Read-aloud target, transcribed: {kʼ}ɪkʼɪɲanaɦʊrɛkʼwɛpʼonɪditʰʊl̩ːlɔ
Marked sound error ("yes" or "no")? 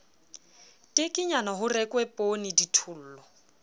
yes